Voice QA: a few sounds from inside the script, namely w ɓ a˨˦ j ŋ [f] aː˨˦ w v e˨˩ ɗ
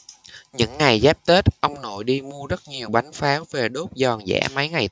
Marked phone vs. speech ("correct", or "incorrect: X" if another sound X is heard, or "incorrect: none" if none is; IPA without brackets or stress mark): correct